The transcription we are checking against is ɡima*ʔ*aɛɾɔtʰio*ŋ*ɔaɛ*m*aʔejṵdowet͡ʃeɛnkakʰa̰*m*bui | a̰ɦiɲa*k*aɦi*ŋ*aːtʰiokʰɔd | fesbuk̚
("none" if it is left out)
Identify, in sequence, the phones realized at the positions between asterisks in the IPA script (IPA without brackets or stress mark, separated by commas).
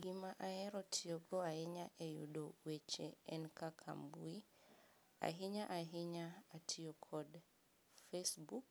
ʔ, ɡ, ɲ, m, ʔ, ɲ